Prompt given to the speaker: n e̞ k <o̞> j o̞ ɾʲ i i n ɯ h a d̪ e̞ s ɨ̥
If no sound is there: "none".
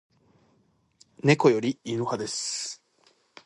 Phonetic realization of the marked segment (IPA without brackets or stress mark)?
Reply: o̞